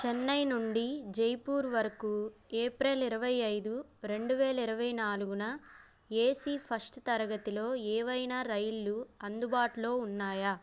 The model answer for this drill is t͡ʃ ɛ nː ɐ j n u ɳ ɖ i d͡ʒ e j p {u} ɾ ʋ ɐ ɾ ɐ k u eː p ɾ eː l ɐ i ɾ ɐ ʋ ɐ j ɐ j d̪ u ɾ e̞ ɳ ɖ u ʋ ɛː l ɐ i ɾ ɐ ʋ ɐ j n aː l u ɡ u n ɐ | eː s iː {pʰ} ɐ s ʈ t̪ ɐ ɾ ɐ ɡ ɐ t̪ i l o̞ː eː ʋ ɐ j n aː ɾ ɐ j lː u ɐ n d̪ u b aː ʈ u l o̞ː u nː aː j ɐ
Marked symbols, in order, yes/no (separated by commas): no, yes